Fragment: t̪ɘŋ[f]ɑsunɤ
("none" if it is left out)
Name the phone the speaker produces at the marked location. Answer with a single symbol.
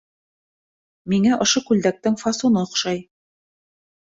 f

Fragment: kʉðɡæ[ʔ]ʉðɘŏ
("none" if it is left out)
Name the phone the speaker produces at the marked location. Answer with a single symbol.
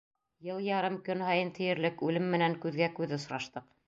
k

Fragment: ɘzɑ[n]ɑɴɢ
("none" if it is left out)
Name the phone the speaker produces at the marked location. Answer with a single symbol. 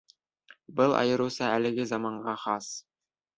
m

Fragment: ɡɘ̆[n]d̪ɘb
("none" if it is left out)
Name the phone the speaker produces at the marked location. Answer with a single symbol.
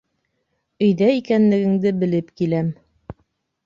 ŋ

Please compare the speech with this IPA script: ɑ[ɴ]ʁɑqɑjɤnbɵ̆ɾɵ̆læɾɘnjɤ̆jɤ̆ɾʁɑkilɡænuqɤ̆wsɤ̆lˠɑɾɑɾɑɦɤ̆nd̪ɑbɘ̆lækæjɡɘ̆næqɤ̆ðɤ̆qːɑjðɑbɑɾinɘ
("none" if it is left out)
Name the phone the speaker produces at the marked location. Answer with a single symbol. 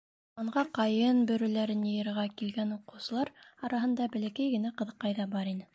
ɴ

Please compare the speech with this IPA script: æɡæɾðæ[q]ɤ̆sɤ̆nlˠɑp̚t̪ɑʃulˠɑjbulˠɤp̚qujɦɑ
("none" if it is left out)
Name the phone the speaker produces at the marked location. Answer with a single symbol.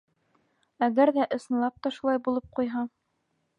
ʔ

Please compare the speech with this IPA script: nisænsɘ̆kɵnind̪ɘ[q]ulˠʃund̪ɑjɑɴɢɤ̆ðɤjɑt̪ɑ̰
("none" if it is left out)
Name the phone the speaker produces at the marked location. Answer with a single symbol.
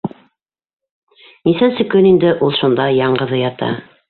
ʔ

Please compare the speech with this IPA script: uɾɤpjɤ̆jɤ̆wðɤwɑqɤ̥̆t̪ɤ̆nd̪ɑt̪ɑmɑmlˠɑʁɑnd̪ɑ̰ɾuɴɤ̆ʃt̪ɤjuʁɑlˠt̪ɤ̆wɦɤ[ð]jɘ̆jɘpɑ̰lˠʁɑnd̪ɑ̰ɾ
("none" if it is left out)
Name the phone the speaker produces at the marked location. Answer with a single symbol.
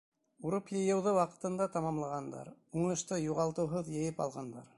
ð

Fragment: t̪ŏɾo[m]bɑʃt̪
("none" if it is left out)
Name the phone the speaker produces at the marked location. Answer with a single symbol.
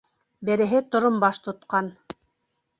m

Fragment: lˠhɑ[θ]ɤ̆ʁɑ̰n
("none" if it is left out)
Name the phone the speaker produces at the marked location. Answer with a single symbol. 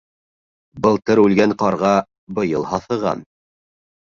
θ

